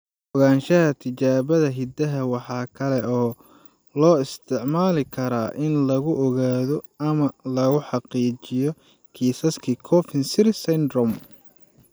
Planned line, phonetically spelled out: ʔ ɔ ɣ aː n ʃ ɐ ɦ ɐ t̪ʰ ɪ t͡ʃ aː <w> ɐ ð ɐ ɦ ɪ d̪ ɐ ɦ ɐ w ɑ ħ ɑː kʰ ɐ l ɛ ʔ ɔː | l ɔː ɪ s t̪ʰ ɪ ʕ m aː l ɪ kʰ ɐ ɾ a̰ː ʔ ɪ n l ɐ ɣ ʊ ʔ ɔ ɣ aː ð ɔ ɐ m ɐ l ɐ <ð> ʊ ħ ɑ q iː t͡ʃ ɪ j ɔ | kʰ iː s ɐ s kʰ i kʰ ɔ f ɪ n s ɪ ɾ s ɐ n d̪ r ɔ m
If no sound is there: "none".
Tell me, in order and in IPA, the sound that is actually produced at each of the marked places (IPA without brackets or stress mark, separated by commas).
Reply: β, ɣ